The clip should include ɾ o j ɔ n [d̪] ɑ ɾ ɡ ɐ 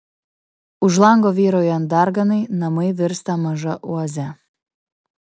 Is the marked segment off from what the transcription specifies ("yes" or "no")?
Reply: no